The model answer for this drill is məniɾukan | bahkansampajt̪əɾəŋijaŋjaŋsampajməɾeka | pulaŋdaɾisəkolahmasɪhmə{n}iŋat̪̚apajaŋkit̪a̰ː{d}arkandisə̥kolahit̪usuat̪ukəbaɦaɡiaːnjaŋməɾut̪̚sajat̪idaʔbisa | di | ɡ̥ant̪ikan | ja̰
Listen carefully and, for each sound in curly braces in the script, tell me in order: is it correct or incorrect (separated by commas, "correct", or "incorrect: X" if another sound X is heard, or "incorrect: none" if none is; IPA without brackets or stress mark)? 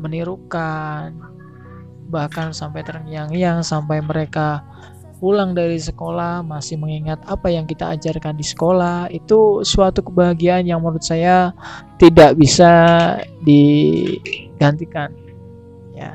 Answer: incorrect: ŋ, incorrect: d͡ʒ